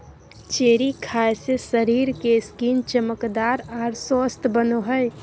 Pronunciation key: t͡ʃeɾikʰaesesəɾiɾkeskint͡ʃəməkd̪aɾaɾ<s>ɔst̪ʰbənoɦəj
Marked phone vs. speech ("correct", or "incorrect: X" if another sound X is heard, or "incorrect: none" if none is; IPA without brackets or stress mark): correct